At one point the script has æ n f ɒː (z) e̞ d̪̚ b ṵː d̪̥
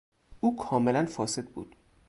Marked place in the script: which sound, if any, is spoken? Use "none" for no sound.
s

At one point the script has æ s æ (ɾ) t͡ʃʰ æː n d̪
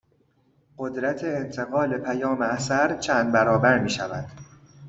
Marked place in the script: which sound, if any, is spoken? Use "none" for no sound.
ɾ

